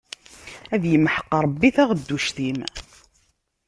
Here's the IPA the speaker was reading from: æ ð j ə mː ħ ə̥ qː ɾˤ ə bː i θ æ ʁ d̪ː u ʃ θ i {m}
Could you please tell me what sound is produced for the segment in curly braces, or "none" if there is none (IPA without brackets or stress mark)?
m